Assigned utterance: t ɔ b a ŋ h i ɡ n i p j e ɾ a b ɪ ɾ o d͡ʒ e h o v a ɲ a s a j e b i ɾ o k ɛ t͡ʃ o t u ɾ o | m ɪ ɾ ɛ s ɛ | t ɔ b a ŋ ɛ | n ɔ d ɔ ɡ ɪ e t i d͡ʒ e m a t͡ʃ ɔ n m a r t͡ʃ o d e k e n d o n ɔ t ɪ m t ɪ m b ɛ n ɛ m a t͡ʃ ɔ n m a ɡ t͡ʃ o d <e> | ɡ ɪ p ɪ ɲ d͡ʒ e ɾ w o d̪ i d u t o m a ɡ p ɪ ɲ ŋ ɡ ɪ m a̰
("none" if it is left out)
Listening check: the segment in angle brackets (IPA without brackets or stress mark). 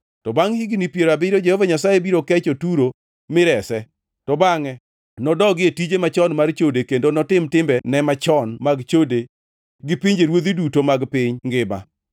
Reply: e